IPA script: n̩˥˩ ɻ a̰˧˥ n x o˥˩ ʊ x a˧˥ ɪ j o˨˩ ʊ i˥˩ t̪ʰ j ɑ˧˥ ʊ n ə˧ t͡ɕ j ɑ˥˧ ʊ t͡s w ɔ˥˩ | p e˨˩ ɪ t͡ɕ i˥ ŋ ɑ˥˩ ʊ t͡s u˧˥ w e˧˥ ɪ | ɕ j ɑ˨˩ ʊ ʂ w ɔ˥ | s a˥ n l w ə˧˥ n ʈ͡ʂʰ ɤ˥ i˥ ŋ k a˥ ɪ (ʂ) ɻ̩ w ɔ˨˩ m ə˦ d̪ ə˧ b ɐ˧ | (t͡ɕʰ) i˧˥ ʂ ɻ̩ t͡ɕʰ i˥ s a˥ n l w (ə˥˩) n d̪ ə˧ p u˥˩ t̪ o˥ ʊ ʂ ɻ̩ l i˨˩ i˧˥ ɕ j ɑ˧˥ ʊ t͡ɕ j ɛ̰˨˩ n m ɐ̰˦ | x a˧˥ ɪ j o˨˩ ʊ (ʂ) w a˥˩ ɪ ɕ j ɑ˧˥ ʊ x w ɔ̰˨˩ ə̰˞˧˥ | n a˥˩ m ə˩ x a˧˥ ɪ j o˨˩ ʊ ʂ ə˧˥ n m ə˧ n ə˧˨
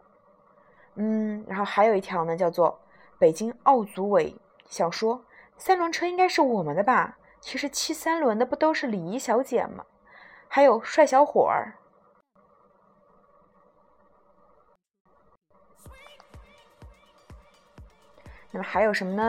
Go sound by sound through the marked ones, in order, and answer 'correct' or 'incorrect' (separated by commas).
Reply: correct, correct, incorrect, correct